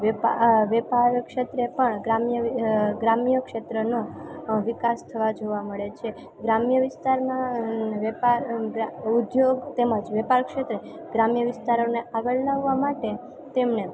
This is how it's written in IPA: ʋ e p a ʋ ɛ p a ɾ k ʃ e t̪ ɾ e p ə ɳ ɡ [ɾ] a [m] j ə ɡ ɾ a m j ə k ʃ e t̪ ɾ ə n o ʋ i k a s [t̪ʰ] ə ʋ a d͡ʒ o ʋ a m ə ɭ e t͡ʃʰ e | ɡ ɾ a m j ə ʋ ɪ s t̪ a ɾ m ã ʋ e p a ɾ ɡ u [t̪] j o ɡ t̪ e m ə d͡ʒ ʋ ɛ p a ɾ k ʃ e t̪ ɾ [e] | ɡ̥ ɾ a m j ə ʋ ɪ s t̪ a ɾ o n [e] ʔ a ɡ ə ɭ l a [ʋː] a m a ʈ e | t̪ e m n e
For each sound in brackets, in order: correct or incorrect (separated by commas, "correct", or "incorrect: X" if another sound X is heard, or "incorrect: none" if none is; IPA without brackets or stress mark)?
correct, correct, correct, incorrect: d̪, correct, correct, correct